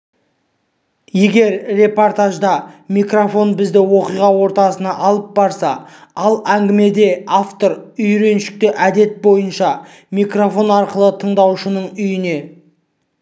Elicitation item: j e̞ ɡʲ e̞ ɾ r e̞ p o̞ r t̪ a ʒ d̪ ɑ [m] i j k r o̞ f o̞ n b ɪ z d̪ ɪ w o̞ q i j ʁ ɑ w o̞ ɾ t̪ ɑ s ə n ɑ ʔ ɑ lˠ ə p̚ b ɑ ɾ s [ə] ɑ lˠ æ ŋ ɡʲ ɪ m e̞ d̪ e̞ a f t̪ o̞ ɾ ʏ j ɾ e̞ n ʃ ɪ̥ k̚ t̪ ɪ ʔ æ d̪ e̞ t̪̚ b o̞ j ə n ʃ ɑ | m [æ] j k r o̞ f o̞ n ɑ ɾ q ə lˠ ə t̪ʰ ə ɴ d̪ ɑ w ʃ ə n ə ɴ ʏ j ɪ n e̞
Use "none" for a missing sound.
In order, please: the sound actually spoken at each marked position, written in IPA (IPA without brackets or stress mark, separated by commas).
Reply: m, ɑ, i